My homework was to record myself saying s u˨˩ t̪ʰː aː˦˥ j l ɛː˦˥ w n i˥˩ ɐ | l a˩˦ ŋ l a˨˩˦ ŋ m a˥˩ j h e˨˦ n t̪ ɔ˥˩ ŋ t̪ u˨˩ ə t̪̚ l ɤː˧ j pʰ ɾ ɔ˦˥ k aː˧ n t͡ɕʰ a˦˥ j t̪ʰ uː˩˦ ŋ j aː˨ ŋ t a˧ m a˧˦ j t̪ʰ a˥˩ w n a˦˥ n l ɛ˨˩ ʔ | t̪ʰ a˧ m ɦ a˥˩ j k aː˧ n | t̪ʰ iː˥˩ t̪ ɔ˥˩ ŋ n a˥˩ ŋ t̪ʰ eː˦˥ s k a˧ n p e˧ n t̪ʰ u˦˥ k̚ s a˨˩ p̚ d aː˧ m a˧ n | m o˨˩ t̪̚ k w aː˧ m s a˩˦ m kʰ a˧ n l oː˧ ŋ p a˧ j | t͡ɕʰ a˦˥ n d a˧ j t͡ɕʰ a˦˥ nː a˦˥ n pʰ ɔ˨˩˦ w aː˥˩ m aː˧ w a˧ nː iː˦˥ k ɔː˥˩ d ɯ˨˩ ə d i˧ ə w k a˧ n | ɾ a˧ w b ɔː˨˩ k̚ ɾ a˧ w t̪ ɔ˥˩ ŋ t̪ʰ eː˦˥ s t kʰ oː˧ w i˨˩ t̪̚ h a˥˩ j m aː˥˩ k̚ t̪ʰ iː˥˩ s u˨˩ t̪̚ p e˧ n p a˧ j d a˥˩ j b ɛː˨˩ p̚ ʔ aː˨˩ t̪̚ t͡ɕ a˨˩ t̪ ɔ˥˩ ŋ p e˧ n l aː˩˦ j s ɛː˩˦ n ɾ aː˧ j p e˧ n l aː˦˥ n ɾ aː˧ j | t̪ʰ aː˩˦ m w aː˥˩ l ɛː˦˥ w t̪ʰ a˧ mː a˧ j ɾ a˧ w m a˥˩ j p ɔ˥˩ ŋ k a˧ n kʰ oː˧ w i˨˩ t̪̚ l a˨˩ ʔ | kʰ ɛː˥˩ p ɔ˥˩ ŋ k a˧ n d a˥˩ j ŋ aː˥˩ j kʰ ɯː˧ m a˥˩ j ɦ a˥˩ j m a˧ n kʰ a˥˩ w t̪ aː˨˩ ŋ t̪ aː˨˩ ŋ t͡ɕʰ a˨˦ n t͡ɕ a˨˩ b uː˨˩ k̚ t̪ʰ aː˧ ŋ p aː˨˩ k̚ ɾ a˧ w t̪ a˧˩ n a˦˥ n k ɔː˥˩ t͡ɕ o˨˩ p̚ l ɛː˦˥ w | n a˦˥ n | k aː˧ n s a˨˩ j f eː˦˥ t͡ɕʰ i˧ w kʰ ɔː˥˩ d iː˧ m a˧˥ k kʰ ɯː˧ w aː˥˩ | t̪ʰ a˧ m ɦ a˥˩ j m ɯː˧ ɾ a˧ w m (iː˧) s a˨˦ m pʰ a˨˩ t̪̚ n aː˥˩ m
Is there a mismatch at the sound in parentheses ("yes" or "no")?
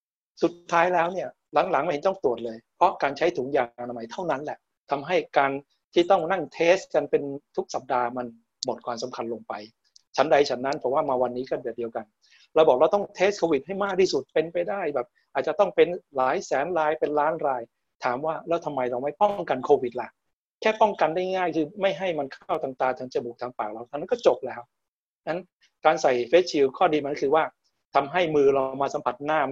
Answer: yes